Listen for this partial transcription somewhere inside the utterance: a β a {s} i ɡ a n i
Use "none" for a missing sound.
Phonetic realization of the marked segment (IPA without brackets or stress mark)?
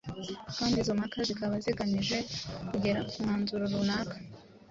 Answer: z